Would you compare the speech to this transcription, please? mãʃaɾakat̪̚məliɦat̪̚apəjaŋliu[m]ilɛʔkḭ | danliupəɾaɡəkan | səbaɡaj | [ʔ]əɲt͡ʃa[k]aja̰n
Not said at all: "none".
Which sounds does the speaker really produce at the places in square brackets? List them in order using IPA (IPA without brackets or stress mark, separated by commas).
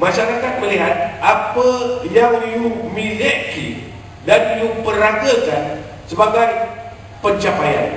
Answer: m, p, p